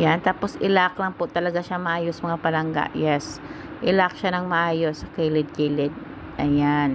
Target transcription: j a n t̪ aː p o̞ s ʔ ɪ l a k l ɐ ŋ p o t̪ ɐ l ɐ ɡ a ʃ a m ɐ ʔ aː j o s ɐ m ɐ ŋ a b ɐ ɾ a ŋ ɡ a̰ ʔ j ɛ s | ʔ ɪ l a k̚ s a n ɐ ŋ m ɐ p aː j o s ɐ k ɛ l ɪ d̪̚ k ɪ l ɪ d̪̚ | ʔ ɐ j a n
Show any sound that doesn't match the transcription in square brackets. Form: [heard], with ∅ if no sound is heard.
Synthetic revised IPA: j a n t̪ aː p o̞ s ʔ ɪ l a k l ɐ ŋ p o t̪ ɐ l ɐ ɡ a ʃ a m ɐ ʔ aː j o s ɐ m ɐ ŋ a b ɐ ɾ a ŋ ɡ a̰ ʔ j ɛ s | ʔ ɪ l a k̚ [ʃ] a n ɐ ŋ m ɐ [ʔ] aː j o s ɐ k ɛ l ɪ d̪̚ k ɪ l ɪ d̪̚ | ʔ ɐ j a n